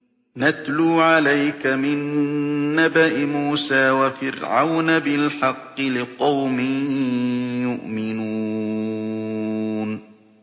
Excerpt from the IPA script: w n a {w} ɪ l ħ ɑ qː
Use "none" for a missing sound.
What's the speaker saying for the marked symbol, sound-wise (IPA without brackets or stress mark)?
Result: b